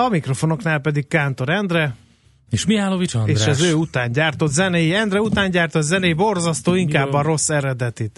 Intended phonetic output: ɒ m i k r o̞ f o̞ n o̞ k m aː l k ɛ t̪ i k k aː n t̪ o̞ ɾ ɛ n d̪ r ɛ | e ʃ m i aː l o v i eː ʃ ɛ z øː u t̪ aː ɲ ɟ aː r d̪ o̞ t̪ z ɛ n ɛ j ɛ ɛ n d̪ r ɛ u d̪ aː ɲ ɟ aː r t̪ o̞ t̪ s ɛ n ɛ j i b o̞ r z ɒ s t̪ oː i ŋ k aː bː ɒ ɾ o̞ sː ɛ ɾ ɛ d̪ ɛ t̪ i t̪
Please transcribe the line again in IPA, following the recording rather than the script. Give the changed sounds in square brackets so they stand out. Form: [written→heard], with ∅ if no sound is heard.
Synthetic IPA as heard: ɒ m i k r o̞ f o̞ n o̞ k [m→n] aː l [k→p] ɛ [t̪→d̪] i k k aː n t̪ o̞ ɾ ɛ n d̪ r ɛ | e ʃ m i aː l o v i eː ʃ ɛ z øː u t̪ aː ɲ ɟ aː r [d̪→t̪] o̞ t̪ z ɛ n ɛ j [ɛ→i] ɛ n d̪ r ɛ u [d̪→t̪] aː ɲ ɟ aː r t̪ o̞ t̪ [s→z] ɛ n ɛ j i b o̞ r z ɒ s t̪ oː i ŋ k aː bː ɒ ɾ o̞ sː ɛ ɾ ɛ d̪ ɛ t̪ i t̪